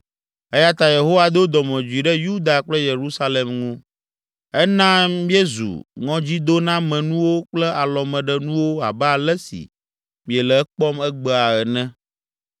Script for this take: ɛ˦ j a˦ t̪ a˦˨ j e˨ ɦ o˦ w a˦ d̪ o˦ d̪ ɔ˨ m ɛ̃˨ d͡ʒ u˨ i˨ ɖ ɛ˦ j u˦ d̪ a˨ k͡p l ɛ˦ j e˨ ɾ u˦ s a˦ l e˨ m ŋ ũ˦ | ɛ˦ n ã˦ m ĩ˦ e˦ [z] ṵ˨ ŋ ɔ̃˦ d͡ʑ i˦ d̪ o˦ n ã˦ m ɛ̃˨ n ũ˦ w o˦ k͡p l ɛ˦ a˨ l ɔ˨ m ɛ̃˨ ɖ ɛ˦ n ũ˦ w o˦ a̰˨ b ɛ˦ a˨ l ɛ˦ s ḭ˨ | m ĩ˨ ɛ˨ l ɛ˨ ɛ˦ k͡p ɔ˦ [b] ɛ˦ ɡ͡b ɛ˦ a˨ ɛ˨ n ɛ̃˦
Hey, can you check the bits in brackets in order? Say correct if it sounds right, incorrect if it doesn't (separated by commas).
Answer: correct, incorrect